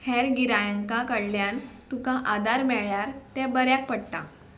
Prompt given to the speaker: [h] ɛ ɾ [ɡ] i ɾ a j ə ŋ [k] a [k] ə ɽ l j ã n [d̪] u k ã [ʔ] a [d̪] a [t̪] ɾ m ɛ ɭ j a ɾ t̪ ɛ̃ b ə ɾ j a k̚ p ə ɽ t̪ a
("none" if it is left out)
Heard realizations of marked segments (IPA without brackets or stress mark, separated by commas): h, ɡ, k, k, t̪, ʔ, d̪, none